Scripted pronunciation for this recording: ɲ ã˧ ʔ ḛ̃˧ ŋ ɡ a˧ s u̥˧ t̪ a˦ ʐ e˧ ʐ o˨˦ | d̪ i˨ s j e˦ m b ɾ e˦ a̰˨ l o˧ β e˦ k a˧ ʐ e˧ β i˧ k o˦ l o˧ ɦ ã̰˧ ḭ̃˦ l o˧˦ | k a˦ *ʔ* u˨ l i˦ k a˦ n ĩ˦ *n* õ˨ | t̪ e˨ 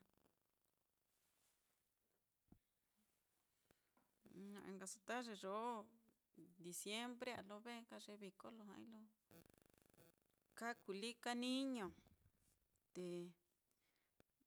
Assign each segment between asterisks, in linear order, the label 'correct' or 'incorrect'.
incorrect: k, incorrect: ɲ

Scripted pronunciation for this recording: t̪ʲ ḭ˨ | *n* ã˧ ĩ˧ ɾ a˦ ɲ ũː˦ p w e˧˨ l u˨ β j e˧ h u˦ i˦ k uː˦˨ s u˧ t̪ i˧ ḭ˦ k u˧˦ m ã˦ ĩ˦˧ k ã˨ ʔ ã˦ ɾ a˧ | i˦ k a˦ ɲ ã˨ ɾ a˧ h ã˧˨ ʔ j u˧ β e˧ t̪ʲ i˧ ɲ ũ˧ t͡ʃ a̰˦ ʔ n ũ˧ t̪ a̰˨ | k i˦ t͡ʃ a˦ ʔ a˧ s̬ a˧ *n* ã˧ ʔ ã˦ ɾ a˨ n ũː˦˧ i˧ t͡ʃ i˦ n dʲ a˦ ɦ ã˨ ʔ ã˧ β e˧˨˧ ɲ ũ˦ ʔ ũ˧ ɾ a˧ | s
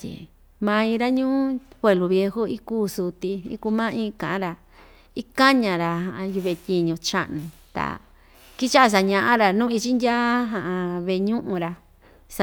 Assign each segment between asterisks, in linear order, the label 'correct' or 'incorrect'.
incorrect: m, incorrect: ɲ

